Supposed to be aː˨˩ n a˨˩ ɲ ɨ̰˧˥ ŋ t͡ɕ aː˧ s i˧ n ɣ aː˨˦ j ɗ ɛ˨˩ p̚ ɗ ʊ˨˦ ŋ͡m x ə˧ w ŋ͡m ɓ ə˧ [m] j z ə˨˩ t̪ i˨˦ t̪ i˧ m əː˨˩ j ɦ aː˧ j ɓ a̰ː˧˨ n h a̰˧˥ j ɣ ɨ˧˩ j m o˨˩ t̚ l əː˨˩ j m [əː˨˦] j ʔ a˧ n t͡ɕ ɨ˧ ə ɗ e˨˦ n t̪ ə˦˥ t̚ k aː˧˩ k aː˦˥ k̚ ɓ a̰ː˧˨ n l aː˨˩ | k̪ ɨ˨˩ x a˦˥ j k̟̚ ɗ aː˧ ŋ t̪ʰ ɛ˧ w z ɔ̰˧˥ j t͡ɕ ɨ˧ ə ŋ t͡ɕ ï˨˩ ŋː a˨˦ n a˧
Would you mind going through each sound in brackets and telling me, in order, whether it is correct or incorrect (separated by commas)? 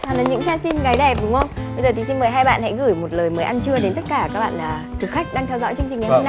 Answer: incorrect, correct